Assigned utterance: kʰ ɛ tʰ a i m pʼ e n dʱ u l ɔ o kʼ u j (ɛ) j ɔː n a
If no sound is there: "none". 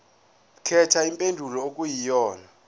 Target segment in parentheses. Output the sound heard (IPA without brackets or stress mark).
i